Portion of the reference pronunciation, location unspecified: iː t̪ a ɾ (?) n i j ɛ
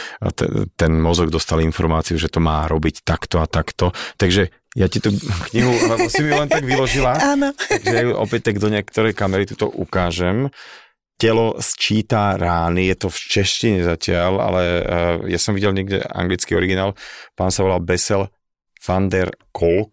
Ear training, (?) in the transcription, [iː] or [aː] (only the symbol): aː